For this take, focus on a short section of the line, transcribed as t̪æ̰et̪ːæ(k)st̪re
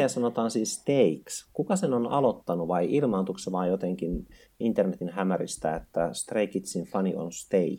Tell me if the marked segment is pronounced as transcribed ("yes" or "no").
no